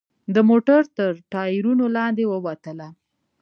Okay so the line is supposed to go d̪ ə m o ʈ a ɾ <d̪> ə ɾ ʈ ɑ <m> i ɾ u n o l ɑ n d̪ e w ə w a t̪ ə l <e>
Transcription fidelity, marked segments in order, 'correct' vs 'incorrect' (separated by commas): incorrect, incorrect, incorrect